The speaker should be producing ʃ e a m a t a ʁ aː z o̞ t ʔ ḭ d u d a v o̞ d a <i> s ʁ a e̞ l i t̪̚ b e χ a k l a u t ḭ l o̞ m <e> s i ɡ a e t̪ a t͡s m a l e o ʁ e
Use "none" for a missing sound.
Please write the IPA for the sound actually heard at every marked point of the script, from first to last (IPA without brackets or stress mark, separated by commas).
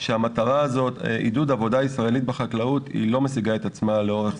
i, e